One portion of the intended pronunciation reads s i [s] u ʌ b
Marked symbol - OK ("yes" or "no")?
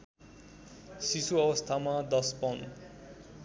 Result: yes